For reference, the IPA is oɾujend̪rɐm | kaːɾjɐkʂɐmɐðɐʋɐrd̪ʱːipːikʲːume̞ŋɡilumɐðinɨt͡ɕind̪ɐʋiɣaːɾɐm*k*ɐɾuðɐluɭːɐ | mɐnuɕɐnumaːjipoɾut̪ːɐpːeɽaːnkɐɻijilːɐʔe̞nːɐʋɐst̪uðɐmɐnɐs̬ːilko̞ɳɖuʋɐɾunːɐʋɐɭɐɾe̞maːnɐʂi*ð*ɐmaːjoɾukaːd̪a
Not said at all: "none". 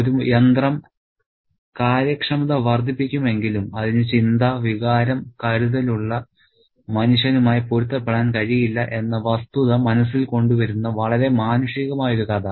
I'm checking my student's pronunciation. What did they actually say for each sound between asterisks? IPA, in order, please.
k, ɣ

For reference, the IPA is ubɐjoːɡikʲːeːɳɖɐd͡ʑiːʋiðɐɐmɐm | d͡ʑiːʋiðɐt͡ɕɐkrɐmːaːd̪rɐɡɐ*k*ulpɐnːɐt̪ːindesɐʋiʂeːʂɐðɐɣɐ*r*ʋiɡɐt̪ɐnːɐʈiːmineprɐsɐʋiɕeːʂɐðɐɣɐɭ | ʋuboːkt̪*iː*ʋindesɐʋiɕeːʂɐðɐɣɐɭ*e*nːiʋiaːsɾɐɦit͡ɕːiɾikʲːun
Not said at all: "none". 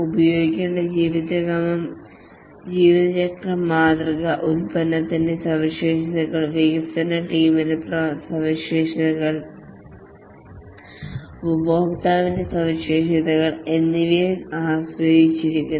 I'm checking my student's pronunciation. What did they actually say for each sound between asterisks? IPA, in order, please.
ʔ, ɭ, aː, e

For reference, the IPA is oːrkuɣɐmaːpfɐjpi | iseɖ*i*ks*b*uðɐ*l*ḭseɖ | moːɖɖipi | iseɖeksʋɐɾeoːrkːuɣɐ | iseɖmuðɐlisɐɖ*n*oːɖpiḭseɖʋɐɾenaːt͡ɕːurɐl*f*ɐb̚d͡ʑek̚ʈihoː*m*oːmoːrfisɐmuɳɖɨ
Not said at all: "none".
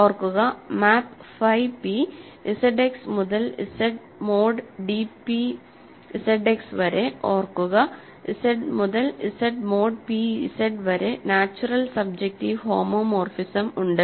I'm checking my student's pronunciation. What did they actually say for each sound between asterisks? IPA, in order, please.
e, m, l, m, s, m

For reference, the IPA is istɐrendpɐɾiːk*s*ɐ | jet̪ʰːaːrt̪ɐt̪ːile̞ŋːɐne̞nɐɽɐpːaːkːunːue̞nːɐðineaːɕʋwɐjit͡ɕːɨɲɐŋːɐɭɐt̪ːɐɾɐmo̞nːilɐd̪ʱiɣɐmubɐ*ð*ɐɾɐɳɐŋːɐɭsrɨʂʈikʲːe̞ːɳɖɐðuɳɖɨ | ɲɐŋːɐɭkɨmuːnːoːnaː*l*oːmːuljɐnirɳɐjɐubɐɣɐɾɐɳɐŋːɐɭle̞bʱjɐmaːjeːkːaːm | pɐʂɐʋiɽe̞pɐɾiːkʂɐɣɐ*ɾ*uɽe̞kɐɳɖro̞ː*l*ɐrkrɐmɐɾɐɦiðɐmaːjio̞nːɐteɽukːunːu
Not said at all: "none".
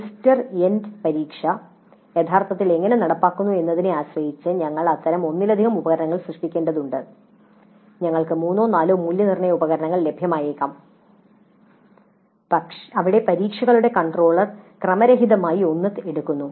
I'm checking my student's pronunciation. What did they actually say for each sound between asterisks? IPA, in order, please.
ʂ, ɣ, l, ɭ, ɭ

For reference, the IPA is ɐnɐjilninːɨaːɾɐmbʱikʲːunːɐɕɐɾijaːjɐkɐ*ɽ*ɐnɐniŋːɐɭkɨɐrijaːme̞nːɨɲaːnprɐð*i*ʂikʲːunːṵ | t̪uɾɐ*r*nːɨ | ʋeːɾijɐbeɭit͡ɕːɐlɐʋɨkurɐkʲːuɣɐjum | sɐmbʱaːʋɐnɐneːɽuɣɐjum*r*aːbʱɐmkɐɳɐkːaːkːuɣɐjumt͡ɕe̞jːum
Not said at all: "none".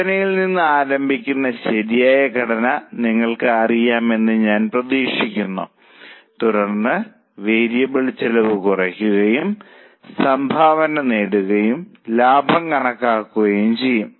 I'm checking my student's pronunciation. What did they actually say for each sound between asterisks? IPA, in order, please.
ɽ, iː, r, l

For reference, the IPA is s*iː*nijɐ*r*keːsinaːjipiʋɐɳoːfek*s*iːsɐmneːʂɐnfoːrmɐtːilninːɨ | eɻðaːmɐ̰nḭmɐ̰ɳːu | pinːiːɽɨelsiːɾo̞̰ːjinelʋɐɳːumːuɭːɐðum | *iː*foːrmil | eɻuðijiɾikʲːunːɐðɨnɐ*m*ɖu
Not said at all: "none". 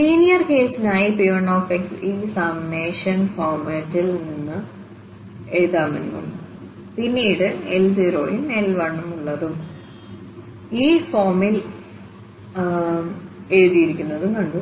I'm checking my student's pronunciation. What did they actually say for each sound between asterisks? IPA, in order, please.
iː, r, s, iː, ɳ

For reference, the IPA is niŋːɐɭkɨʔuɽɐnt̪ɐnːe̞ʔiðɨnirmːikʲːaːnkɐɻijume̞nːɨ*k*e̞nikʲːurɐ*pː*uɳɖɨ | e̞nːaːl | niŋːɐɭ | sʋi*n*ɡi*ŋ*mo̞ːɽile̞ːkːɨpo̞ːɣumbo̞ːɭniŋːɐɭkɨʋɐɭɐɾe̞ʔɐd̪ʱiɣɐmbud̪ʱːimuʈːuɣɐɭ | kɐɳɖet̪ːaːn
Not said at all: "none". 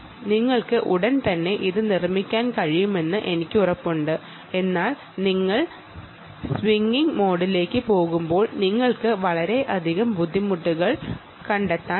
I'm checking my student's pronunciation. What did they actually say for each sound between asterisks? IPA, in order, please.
ʔ, pː, ŋ, ŋ

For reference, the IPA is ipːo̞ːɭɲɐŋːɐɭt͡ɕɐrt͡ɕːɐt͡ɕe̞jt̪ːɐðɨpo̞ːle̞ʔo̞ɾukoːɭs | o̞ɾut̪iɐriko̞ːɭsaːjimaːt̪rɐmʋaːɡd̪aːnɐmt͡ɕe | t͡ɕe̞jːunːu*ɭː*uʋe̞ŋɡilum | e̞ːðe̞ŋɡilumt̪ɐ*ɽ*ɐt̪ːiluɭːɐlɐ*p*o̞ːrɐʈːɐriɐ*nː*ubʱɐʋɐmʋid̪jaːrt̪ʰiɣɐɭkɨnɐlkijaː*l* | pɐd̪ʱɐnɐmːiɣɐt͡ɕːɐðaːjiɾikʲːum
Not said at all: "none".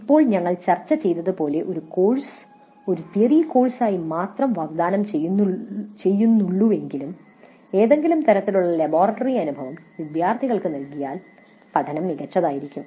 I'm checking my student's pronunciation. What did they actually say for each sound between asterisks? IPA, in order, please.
ɭː, ɾ, b, n, l

